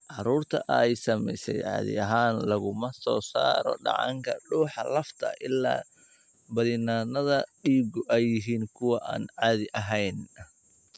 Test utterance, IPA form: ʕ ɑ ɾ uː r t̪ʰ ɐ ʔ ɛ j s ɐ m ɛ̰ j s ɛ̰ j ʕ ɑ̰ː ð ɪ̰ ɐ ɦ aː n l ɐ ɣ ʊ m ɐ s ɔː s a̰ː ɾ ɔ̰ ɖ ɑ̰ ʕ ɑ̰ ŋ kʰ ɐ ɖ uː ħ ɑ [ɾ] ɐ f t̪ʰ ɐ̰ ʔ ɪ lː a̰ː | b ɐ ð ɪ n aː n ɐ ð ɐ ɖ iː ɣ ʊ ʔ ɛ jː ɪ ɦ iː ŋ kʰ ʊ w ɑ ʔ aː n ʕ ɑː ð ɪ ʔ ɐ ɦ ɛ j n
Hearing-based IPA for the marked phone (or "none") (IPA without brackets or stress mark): l